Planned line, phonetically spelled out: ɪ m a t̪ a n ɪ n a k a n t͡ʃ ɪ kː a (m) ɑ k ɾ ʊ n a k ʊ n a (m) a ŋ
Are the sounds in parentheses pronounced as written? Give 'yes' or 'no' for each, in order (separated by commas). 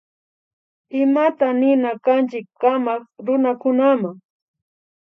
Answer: yes, yes